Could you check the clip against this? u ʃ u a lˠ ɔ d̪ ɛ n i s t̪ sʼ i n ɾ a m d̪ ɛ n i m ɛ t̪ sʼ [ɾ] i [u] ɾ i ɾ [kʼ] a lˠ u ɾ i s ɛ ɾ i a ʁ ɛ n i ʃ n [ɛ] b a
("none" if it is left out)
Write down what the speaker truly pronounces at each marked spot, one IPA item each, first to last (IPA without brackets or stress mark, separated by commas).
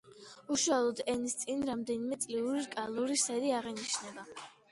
l, u, kʼ, ɛ